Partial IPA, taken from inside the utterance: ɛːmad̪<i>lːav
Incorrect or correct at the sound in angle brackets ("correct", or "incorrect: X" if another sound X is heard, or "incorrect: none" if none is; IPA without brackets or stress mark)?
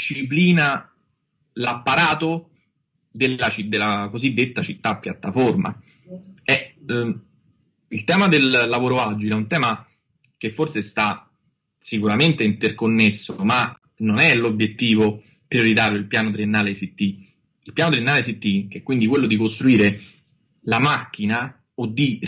incorrect: e